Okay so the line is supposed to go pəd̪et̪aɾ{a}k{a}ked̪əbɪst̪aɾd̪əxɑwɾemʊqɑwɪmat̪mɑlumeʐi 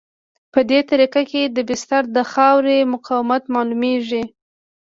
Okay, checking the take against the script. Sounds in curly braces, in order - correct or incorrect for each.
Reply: incorrect, correct

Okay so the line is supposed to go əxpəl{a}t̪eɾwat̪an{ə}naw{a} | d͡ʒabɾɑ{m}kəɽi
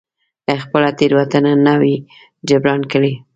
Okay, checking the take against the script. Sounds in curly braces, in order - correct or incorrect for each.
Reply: correct, incorrect, incorrect, incorrect

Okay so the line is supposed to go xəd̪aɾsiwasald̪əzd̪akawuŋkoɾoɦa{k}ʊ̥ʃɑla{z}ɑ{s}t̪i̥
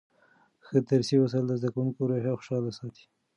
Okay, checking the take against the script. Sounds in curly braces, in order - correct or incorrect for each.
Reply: incorrect, incorrect, incorrect

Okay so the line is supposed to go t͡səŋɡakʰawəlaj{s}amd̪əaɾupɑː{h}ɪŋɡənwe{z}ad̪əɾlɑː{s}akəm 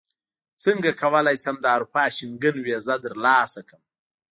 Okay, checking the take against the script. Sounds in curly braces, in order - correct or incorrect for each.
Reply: correct, incorrect, correct, correct

